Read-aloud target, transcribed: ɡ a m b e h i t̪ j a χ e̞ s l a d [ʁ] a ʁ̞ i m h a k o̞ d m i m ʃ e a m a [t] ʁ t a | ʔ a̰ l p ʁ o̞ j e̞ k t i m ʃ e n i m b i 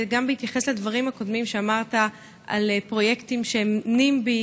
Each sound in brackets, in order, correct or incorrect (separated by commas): incorrect, incorrect